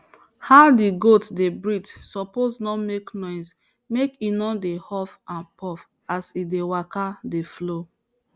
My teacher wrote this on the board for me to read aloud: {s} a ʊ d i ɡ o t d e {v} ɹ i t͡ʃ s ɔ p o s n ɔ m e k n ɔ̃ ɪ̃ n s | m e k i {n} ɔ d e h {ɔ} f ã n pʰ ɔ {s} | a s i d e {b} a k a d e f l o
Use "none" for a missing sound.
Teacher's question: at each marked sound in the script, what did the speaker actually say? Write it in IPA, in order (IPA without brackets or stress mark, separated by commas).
h, b, n, ɔ, f, w